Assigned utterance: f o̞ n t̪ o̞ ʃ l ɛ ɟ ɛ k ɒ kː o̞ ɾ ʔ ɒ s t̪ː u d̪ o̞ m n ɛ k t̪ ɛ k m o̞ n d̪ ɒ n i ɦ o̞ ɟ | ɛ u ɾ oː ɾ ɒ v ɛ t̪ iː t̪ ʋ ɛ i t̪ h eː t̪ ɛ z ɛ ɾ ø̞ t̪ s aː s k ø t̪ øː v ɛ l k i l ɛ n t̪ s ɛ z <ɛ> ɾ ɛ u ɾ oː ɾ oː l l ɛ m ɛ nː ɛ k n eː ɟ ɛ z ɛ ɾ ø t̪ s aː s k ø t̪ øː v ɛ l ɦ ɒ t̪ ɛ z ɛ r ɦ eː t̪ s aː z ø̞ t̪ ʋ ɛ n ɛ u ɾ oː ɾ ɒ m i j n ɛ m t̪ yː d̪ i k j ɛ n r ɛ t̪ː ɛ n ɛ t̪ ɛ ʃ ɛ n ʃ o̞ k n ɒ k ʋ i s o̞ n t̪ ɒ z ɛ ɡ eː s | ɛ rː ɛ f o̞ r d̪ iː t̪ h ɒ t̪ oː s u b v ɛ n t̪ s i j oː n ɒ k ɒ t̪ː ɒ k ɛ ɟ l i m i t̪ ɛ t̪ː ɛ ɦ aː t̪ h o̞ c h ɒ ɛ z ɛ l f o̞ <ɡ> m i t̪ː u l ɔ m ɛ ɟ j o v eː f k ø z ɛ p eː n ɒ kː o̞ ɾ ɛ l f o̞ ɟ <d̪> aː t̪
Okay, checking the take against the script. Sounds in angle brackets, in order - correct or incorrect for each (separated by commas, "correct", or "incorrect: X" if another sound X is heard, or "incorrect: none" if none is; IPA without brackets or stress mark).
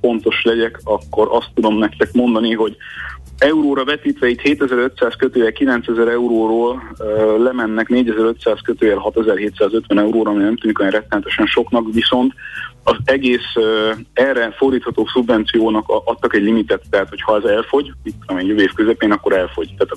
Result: correct, incorrect: ɟ, incorrect: t̪